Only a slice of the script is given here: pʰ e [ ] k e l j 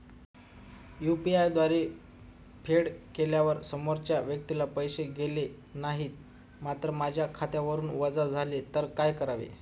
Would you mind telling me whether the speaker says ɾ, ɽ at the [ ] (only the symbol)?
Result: ɽ